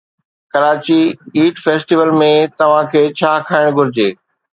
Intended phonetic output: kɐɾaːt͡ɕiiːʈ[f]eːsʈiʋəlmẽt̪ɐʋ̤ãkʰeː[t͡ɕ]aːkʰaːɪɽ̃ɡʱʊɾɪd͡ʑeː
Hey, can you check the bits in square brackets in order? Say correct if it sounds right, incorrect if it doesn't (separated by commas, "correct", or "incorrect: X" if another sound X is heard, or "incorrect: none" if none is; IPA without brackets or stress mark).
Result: correct, incorrect: t͡ɕʰ